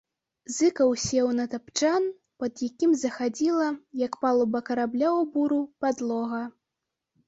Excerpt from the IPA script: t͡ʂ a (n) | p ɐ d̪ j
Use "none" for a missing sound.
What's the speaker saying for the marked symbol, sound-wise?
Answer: n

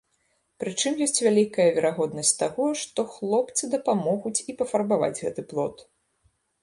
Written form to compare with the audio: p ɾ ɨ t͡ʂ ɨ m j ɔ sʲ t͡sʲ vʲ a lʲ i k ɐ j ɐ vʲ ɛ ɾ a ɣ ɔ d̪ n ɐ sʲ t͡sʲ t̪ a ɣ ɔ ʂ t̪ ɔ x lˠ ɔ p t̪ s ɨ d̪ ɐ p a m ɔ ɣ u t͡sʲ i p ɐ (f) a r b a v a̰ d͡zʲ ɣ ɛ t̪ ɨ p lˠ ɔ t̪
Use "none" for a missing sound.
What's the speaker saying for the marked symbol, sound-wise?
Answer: f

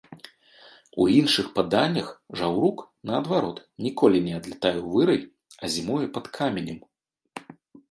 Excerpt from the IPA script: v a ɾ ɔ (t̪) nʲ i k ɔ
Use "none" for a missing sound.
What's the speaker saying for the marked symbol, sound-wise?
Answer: t̪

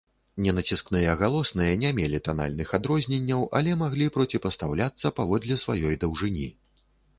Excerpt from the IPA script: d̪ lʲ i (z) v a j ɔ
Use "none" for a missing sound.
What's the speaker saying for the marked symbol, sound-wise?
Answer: s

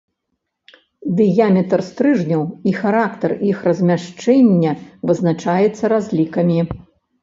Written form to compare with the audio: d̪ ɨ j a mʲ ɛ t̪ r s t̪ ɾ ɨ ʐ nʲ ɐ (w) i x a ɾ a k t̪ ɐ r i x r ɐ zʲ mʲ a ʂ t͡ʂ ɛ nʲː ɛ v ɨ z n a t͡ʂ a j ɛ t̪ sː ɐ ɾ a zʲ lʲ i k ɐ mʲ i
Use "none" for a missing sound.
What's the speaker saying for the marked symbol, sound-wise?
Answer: w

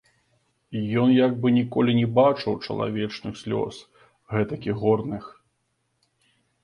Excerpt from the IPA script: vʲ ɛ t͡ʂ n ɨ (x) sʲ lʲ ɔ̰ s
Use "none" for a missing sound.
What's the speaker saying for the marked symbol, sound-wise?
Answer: x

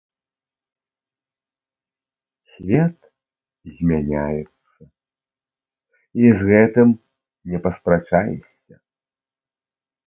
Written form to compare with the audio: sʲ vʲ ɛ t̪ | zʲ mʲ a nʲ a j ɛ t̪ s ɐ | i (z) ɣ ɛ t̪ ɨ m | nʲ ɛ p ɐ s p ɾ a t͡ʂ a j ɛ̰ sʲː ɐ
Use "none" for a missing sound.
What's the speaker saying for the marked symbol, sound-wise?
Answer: z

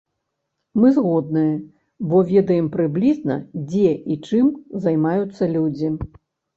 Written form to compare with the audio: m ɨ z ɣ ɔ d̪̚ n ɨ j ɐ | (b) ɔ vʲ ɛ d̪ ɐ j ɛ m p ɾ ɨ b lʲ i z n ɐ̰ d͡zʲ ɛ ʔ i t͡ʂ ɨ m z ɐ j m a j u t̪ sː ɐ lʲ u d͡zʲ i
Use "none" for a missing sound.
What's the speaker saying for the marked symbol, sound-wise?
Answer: b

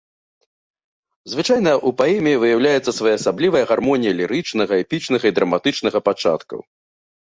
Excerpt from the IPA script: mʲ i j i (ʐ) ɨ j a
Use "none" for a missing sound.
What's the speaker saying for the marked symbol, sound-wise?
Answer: v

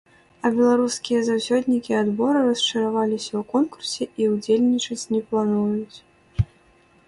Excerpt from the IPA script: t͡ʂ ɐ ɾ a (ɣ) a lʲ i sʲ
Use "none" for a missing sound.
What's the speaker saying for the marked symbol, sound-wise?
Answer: v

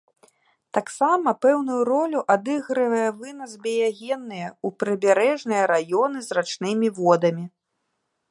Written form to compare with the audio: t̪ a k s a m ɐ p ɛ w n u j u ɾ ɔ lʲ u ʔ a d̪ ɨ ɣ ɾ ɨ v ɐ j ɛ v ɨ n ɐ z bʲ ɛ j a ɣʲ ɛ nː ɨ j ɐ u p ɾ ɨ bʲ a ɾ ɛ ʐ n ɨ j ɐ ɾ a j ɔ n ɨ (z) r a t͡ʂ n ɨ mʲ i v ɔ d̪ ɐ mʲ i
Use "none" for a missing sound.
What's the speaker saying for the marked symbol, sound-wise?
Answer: z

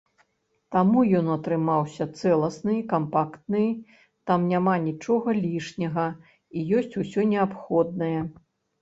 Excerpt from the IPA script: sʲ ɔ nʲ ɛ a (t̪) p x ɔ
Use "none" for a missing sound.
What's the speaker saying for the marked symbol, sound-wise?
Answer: none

